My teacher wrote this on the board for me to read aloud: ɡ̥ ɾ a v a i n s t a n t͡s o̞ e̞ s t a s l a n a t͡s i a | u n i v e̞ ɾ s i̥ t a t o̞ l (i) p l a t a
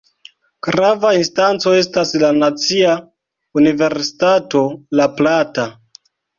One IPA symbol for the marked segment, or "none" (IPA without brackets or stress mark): a